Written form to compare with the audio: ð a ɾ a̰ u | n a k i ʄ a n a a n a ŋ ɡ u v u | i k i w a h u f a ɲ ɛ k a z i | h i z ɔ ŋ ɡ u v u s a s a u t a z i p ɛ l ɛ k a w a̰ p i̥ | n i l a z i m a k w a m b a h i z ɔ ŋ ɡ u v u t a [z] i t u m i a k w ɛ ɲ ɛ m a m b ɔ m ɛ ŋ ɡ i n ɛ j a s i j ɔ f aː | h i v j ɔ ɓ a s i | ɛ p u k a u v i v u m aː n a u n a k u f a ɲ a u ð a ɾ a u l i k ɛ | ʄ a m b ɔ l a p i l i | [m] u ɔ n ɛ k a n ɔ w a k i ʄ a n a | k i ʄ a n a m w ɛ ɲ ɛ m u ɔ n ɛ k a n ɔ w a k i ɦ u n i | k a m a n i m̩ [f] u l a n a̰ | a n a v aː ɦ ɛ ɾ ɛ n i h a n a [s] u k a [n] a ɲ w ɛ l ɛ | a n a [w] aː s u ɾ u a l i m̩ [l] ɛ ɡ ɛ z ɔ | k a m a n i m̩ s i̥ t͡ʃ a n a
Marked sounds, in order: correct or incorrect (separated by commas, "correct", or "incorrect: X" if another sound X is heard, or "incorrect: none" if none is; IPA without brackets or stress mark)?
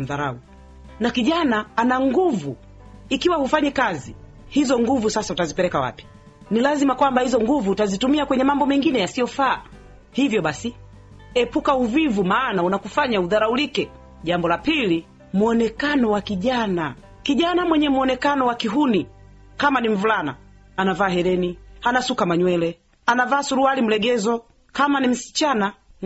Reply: correct, correct, incorrect: v, correct, incorrect: m, incorrect: v, correct